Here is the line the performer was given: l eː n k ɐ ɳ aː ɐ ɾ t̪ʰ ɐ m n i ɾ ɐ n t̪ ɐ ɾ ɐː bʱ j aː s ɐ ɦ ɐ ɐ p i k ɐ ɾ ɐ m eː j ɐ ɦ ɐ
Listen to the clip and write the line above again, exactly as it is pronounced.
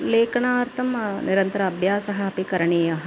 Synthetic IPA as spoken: l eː k ɐ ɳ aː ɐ ɾ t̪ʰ ɐ m n i ɾ ɐ n t̪ ɐ ɾ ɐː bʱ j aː s ɐ ɦ ɐ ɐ p i k ɐ ɾ ɐ ɳ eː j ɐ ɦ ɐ